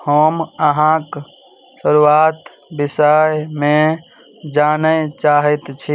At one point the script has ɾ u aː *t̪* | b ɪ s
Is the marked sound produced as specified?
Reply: yes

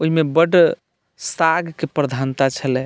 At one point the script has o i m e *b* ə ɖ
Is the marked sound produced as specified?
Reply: yes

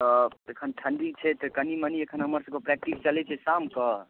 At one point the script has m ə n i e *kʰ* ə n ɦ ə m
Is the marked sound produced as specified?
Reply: yes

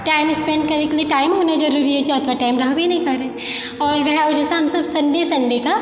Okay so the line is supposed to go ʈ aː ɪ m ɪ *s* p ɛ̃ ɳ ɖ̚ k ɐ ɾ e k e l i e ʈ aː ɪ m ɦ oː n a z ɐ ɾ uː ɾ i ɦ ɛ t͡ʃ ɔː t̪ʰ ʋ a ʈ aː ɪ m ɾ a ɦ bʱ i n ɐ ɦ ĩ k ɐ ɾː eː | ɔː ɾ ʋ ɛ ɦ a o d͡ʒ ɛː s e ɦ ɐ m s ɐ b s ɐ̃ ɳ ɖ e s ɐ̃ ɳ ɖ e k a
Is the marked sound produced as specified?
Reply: yes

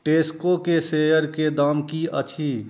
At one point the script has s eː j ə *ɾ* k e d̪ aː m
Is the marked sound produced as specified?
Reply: yes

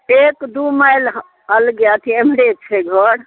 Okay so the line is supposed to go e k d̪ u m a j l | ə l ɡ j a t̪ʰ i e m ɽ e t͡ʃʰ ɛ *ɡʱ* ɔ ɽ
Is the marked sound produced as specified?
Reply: yes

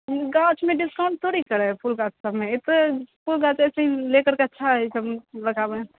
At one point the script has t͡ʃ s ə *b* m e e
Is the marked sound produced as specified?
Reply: yes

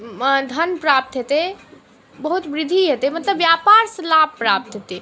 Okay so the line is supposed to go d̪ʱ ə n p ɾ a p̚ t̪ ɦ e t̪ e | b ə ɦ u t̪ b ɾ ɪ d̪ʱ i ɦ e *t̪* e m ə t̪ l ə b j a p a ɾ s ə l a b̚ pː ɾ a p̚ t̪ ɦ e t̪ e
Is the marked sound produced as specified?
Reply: yes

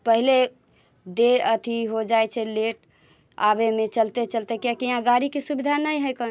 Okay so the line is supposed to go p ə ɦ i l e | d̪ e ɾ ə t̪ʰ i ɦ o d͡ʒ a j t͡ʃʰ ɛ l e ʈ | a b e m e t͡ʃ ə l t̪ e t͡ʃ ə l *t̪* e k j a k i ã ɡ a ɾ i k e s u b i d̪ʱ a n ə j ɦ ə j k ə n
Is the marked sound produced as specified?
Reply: yes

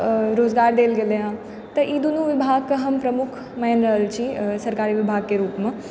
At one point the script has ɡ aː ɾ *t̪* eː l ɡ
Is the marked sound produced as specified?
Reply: no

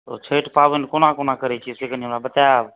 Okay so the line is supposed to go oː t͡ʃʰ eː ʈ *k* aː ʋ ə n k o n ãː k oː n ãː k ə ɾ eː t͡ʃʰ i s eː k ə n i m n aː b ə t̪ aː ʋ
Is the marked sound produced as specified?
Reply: no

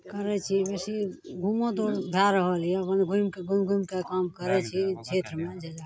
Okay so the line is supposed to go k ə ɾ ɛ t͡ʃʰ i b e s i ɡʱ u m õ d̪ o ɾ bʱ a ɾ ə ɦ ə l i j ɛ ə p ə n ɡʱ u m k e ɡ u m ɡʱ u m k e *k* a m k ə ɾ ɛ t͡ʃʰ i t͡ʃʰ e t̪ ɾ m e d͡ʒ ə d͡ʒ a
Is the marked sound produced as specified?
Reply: yes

